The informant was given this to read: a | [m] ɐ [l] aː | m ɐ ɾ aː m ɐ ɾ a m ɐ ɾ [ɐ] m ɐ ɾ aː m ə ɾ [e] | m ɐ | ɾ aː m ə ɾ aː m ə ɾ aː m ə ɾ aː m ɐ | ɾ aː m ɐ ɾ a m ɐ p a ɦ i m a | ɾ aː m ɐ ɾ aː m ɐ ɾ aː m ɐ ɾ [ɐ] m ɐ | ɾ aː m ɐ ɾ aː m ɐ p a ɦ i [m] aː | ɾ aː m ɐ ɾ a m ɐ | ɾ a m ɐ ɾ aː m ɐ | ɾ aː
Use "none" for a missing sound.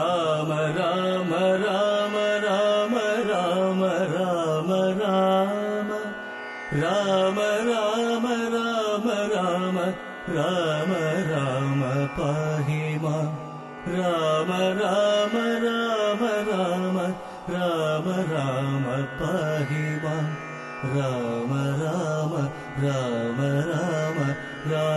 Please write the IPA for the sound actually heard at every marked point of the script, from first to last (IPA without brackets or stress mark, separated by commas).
m, ɾ, a, a, a, m